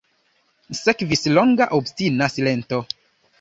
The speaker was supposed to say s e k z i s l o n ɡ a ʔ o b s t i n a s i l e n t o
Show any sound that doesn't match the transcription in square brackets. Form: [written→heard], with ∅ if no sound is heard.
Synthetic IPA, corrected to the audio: s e k [z→v] i s l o [n→ŋ] ɡ a ʔ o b s t i n a s i l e n t o